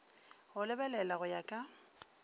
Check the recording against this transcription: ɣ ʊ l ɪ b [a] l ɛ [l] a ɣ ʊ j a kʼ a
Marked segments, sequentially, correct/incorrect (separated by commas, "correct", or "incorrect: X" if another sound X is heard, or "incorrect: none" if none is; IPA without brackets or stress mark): incorrect: ɛ, correct